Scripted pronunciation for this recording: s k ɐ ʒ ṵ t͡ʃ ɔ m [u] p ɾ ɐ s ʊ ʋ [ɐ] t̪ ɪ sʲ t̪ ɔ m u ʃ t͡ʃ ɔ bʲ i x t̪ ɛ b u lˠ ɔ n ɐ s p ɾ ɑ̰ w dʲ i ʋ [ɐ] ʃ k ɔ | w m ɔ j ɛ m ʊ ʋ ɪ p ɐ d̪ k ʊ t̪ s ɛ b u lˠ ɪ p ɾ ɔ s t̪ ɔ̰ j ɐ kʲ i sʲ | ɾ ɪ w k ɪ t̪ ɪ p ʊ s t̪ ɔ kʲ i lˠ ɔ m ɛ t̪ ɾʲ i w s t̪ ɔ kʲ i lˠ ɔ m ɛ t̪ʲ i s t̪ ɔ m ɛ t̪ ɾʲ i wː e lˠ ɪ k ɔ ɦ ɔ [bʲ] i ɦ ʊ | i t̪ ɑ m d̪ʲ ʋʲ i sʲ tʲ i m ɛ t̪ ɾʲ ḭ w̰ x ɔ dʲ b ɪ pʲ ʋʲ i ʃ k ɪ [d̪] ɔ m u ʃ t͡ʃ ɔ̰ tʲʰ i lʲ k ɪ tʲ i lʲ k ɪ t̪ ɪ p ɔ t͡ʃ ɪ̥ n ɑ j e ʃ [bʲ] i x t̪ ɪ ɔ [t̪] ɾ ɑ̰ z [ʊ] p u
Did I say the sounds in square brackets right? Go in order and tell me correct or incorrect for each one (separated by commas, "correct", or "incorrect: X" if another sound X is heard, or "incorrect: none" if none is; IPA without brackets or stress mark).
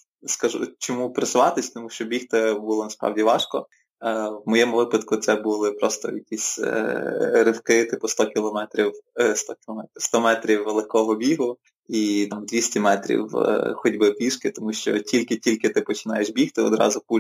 correct, incorrect: ɑ, incorrect: ɑ, correct, incorrect: t̪, correct, incorrect: d̪, correct